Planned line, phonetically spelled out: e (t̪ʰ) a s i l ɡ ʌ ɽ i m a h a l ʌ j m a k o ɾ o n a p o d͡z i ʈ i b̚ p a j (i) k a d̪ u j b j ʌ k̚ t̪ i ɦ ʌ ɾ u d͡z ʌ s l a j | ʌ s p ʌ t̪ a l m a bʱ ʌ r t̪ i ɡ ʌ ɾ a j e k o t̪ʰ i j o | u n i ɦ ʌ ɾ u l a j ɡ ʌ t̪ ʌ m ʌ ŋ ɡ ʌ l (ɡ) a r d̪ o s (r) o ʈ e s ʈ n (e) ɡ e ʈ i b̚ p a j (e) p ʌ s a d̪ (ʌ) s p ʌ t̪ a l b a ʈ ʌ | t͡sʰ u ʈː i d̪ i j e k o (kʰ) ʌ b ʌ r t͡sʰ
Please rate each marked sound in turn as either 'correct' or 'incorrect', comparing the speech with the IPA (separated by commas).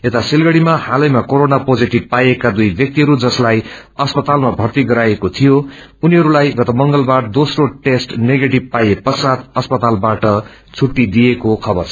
incorrect, incorrect, incorrect, correct, correct, correct, correct, correct